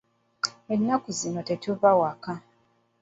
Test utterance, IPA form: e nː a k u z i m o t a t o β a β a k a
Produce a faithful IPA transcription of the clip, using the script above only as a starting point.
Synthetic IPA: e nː a k u z i n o t e t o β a w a k a